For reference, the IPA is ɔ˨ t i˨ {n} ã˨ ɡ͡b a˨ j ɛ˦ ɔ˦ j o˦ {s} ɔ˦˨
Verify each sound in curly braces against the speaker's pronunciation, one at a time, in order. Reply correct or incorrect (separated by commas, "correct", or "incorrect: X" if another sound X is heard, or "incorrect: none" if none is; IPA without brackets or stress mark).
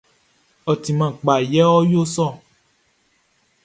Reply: incorrect: m, correct